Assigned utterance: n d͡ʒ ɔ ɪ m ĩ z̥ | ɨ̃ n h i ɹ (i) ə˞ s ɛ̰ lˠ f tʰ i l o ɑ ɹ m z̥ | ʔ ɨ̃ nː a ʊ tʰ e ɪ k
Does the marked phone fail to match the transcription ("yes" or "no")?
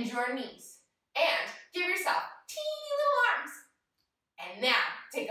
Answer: yes